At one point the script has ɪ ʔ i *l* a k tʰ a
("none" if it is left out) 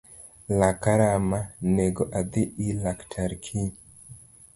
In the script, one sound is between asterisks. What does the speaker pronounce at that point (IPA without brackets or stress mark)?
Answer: l